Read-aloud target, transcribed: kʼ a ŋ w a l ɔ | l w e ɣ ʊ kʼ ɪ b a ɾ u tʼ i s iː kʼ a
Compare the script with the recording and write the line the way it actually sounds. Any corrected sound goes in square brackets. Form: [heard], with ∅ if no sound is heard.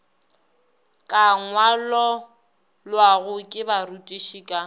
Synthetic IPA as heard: kʼ a ŋ w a l ɔ | l w [a] ɣ ʊ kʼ ɪ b a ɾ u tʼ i [ʃ] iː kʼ a